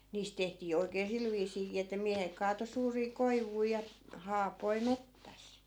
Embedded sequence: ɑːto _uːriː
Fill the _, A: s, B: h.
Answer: A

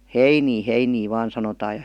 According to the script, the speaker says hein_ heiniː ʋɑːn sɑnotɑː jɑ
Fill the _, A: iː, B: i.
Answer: A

